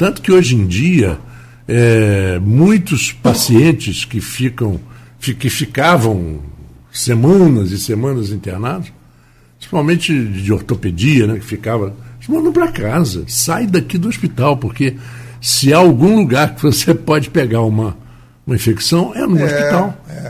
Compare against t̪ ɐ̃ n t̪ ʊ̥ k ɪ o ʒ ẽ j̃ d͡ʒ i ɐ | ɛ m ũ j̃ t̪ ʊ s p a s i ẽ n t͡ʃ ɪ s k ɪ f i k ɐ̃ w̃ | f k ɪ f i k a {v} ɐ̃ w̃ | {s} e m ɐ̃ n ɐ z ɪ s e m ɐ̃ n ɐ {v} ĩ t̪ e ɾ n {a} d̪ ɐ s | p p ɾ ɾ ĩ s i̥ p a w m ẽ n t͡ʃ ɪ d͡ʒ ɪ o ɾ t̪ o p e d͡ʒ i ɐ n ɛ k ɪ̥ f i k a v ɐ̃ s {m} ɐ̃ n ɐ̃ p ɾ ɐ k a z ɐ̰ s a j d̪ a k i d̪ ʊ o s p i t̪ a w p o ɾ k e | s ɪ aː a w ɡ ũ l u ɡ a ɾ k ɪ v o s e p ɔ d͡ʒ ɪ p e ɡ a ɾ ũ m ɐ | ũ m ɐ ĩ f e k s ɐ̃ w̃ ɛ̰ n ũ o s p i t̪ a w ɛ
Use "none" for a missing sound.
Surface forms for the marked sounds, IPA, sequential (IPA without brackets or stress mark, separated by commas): v, s, z, a, m